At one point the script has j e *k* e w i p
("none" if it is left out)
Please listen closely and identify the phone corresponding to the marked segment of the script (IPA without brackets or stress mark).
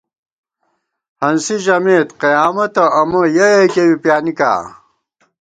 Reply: k